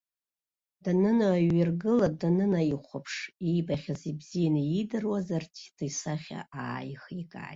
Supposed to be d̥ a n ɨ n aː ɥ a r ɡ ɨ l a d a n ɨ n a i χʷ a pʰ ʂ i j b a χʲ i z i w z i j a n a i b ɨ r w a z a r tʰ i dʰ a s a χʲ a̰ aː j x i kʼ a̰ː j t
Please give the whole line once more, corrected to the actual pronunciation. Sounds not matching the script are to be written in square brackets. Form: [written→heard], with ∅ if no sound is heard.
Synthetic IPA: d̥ a n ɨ n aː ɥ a r ɡ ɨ l a d a n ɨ n a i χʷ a pʰ ʂ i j b a χʲ [i→a] z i [w→b] z i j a n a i [b→d] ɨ r w a z a r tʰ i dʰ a s a χʲ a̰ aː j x i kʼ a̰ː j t